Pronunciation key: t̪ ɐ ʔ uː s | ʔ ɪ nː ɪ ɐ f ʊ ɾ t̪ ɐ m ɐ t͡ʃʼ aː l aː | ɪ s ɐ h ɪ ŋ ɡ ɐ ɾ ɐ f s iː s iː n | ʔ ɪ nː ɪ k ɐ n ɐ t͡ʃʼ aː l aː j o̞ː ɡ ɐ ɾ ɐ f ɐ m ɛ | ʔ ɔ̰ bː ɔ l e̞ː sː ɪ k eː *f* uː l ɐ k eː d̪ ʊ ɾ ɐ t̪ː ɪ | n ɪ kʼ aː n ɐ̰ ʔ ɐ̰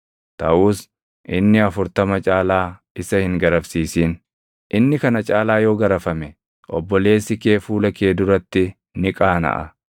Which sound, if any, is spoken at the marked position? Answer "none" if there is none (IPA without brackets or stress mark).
f